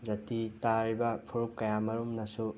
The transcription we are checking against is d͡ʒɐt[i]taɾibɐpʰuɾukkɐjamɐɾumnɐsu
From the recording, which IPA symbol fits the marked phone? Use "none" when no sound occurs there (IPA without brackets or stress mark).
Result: i